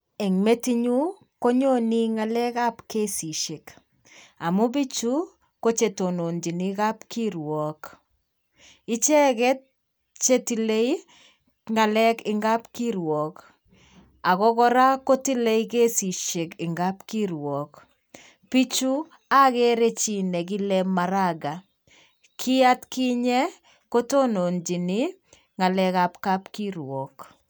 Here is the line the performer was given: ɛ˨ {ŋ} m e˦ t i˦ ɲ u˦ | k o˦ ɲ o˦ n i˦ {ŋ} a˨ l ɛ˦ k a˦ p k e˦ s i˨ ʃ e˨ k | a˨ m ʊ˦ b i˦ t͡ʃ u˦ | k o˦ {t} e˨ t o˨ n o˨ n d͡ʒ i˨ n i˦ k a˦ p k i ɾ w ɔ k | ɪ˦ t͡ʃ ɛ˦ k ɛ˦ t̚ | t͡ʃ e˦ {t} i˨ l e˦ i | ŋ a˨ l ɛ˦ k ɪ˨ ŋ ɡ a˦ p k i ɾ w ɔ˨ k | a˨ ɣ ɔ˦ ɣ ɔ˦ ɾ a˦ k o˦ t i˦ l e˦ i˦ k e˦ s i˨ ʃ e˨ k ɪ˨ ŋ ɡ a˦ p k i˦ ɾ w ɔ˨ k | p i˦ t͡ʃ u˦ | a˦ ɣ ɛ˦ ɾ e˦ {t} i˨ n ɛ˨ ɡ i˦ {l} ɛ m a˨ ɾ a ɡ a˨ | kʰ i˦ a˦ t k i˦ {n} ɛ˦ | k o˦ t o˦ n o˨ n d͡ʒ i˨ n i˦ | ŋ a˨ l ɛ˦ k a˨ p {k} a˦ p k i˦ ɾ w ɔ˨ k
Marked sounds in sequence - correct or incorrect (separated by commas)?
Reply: correct, correct, incorrect, correct, incorrect, correct, incorrect, correct